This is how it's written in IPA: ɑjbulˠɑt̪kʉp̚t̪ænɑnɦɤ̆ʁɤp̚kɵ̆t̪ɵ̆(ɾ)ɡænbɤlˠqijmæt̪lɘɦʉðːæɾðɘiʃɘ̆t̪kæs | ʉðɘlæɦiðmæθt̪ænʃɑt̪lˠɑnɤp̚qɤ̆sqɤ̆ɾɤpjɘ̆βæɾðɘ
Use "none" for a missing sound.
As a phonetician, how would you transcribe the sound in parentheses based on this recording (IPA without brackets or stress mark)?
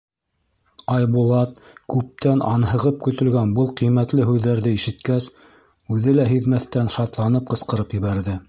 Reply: l